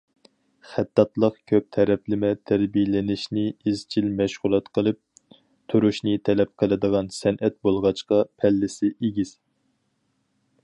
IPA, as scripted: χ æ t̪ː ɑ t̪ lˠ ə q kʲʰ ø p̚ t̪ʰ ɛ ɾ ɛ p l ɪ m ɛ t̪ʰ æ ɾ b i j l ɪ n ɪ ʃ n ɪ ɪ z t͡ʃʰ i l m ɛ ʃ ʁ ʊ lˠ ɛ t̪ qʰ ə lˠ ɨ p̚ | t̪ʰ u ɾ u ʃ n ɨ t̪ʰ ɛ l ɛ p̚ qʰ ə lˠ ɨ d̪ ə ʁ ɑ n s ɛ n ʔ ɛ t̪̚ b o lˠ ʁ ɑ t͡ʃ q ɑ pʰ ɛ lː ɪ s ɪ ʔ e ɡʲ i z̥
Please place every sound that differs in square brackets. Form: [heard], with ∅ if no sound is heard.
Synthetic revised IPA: χ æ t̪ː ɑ t̪ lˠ ə q kʲʰ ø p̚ t̪ʰ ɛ ɾ ɛ p l ɪ m ɛ t̪ʰ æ ɾ b i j l ɪ n ɪ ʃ n ɪ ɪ z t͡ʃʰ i l m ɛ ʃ ʁ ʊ lˠ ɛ t̪ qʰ ə lˠ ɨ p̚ | t̪ʰ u ɾ u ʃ n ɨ t̪ʰ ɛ l ɛ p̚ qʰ ə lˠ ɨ d̪ ə ʁ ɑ n s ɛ n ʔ ɛ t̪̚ b o lˠ ʁ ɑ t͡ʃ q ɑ pʰ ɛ lː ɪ s ɪ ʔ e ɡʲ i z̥